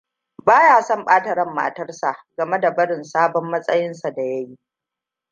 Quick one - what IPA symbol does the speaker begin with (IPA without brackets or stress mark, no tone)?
b